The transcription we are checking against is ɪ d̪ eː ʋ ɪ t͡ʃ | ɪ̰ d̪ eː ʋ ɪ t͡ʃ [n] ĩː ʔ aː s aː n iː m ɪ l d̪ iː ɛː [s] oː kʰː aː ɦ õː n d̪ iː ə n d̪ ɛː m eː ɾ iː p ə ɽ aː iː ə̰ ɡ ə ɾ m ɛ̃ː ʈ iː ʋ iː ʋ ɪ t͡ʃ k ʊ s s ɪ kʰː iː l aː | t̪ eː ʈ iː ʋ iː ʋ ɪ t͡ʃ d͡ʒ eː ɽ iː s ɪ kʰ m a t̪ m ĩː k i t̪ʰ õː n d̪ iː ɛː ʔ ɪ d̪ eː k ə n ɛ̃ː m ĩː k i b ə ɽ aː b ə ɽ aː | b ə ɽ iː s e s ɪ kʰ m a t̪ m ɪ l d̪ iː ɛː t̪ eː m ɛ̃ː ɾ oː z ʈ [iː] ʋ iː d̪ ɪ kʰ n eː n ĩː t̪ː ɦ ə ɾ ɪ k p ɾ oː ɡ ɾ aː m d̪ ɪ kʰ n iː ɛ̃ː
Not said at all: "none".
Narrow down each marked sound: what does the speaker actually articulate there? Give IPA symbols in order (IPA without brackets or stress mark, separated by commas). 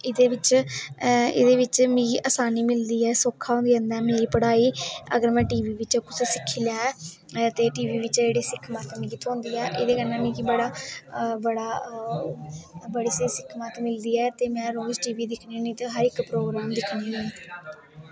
m, s, iː